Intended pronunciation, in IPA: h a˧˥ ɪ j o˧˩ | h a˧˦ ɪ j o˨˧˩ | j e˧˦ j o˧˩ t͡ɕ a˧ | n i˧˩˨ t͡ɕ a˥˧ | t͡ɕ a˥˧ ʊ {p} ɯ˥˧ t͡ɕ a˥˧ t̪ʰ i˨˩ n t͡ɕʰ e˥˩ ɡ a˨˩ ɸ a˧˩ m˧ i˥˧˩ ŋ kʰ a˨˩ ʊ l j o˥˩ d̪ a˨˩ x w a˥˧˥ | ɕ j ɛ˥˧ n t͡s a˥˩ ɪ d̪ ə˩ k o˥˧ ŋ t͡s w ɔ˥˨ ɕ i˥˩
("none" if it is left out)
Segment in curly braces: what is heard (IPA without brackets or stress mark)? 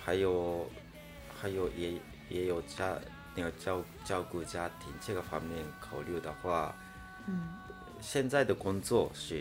k